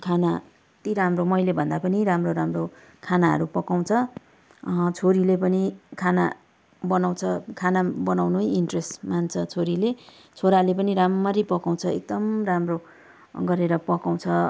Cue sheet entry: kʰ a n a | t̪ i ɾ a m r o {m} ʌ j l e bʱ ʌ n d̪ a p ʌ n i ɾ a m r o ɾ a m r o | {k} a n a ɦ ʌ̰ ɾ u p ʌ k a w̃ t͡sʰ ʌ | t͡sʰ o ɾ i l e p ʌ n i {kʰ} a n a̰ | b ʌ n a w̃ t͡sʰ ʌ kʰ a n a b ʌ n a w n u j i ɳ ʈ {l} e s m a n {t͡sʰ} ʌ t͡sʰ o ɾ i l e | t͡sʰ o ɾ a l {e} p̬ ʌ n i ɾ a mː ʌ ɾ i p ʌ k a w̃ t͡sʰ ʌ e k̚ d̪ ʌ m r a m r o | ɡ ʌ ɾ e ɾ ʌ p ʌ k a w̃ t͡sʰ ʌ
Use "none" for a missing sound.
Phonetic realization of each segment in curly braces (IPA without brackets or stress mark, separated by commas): m, kʰ, kʰ, r, t͡sʰ, e